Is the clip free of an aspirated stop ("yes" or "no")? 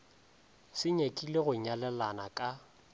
yes